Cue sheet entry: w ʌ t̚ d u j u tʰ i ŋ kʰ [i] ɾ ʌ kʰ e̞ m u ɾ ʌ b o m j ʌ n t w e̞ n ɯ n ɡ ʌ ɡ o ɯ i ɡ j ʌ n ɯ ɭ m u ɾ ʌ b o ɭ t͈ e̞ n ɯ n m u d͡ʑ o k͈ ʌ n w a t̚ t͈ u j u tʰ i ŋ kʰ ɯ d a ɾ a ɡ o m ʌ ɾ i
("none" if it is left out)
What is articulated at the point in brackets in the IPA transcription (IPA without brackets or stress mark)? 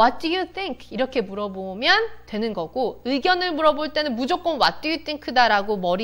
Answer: i